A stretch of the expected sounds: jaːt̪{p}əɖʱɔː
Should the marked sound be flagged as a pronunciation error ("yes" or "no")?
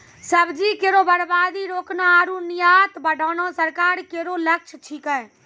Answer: yes